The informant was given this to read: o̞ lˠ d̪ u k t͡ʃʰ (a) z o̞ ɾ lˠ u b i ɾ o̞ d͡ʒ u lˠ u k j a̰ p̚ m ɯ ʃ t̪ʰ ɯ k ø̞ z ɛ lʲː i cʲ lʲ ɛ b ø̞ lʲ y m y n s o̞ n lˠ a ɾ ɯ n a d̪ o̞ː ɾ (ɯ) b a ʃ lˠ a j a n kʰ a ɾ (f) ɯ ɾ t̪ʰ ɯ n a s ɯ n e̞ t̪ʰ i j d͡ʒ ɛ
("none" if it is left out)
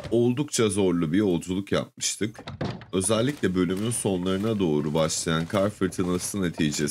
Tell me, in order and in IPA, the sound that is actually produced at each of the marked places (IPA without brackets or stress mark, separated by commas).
a, u, f